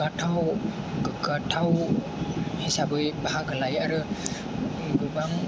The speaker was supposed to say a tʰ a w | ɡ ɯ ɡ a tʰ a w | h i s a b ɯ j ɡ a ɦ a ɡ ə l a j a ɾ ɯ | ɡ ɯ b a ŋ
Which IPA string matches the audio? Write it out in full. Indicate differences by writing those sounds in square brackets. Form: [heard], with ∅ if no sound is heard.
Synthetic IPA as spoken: a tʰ a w | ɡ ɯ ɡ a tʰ a w | h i s a b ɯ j [b] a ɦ a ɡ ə l a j a ɾ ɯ | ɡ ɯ b a ŋ